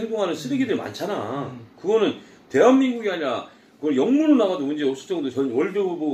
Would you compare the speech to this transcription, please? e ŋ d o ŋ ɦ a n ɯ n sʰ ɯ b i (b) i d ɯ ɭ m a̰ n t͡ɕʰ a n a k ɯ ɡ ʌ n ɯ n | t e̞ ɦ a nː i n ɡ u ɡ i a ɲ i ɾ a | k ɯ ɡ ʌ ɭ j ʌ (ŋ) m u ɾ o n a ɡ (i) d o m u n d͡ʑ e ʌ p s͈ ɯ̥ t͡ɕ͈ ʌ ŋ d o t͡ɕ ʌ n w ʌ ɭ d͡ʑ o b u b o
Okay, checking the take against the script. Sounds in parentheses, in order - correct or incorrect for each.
incorrect, correct, incorrect

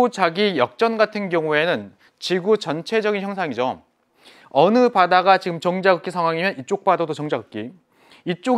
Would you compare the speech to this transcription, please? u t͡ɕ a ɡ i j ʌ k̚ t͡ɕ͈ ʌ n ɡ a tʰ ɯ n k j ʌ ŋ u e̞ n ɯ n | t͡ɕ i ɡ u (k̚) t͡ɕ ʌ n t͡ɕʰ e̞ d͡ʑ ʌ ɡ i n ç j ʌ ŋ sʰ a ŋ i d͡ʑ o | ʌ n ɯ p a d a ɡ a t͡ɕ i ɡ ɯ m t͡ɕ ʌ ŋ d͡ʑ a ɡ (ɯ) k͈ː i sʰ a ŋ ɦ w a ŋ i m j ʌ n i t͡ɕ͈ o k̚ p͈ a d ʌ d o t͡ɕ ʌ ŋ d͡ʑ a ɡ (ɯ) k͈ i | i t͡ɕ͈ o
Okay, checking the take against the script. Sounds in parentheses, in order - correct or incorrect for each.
incorrect, correct, correct

